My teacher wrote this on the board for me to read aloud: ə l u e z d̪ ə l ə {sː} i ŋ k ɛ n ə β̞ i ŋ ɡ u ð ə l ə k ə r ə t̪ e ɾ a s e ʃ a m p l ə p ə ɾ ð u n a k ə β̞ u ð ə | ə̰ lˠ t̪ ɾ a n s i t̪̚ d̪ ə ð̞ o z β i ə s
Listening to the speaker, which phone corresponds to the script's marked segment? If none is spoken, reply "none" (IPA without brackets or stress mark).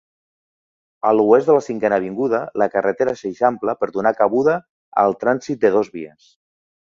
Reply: s